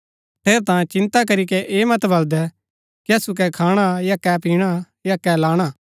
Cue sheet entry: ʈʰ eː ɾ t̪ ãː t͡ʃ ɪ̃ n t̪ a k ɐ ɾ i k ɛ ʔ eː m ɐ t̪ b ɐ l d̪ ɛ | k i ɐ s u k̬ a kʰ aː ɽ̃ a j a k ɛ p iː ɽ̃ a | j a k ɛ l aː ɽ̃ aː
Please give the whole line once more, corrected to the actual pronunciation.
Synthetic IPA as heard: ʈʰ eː ɾ t̪ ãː t͡ʃ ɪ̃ n t̪ a k ɐ ɾ i k ɛ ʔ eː m ɐ t̪ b ɐ l d̪ ɛ | k i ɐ s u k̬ ɛ kʰ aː ɽ̃ a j a k ɛ p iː ɽ̃ a | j a k ɛ l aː ɽ̃ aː